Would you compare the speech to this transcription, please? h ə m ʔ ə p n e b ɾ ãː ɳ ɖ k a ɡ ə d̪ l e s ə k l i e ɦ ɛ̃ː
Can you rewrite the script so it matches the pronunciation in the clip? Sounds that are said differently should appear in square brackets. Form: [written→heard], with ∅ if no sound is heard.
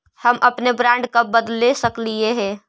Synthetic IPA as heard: h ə m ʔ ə p n e b ɾ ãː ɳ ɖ k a [ɡ→b] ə d̪ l e s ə k l i e ɦ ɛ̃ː